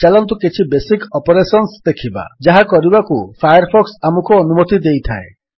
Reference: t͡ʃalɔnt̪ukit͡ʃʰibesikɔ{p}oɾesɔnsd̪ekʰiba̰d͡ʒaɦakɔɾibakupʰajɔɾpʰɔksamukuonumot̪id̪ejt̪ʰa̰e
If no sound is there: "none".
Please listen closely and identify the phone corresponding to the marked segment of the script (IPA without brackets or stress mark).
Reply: p